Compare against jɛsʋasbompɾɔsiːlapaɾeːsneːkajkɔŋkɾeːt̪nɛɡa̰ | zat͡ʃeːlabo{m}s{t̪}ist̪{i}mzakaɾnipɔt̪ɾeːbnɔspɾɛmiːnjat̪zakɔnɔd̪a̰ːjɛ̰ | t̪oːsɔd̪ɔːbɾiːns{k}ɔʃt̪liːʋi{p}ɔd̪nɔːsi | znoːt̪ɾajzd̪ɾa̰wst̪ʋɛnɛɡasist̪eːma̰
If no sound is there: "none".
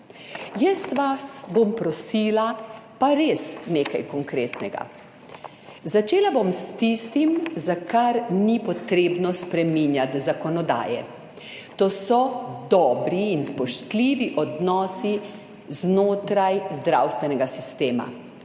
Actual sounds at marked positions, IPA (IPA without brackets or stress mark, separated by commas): m, t̪, i, p, ʔ